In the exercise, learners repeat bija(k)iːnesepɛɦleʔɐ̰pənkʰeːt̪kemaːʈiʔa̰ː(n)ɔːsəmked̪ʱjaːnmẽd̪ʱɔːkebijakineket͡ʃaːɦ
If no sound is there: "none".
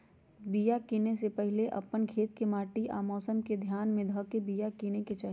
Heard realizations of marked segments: k, m

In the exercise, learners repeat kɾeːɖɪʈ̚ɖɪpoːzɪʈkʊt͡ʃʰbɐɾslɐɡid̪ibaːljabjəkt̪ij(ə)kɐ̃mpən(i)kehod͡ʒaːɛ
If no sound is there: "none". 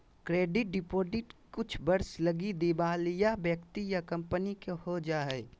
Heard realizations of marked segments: a, i

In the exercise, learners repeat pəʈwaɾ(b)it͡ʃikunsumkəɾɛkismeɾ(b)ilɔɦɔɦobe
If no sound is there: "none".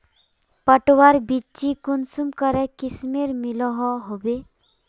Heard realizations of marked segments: b, m

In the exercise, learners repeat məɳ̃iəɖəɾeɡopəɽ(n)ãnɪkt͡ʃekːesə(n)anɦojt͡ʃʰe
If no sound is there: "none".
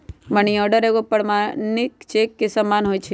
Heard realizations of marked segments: m, m

